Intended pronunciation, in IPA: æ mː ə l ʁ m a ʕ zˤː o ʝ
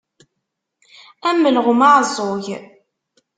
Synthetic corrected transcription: æ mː ə l ʁ m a ʕ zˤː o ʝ